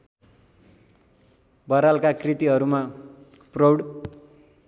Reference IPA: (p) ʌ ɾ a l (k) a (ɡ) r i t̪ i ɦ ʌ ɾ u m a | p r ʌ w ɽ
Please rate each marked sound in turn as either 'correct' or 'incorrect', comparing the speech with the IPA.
incorrect, correct, incorrect

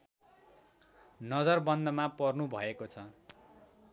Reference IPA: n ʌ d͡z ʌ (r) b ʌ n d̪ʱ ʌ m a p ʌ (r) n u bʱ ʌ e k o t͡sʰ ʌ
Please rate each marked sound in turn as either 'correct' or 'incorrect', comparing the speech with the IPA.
correct, correct

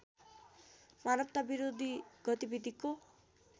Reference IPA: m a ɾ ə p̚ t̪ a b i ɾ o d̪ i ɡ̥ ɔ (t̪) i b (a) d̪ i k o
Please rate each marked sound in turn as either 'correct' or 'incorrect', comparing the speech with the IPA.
correct, incorrect

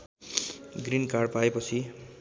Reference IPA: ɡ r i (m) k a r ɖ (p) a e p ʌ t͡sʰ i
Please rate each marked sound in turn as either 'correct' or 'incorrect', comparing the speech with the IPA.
incorrect, correct

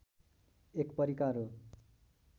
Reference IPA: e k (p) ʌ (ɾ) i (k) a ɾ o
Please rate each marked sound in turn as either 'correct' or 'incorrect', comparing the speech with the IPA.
correct, correct, correct

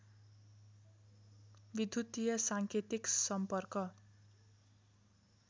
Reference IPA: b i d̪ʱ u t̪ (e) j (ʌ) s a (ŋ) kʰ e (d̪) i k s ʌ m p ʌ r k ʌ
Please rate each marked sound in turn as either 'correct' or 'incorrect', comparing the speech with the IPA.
incorrect, correct, correct, incorrect

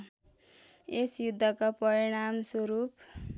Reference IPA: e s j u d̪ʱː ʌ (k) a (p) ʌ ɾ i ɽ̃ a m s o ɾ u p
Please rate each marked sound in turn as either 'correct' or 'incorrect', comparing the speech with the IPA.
correct, correct

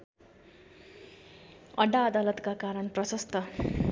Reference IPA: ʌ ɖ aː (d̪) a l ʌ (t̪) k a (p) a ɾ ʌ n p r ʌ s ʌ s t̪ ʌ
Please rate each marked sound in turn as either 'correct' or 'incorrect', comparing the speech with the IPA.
correct, correct, incorrect

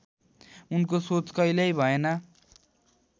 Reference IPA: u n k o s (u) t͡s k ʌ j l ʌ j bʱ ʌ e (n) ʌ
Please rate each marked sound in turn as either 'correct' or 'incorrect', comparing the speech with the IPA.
incorrect, correct

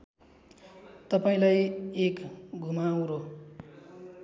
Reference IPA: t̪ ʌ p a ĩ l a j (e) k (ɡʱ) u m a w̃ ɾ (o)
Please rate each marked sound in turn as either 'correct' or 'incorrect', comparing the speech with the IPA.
correct, correct, correct

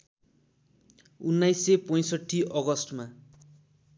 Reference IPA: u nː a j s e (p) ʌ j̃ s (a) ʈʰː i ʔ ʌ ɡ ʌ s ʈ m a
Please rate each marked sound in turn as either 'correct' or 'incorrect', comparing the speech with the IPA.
correct, incorrect

